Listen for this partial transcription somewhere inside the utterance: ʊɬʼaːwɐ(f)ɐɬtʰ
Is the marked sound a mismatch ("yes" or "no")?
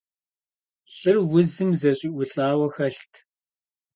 yes